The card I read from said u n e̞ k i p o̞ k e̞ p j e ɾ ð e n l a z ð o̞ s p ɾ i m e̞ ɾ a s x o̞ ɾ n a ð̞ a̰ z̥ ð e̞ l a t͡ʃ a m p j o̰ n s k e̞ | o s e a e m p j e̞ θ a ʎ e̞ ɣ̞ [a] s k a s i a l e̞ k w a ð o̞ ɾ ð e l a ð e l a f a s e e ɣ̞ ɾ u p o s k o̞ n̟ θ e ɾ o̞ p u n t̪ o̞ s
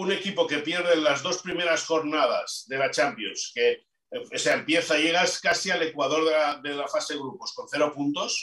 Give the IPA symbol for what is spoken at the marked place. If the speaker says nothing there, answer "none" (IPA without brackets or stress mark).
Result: a